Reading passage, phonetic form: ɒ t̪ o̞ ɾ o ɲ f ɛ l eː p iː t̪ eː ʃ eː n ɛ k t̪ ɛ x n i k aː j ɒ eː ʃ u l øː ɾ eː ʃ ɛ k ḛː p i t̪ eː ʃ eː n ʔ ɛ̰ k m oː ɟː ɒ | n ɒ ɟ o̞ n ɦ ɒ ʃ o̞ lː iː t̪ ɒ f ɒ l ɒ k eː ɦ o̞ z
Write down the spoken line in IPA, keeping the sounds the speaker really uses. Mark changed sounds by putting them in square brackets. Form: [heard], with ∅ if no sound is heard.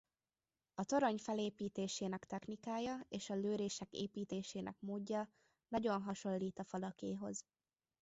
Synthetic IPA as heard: ɒ t̪ o̞ ɾ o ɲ f ɛ l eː p iː t̪ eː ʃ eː n ɛ k t̪ ɛ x n i k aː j ɒ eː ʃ [ɒ] l øː ɾ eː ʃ ɛ k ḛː p [iː] t̪ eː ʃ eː n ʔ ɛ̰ k m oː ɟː ɒ | n ɒ ɟ o̞ n ɦ ɒ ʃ o̞ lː iː t̪ ɒ f ɒ l ɒ k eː ɦ o̞ z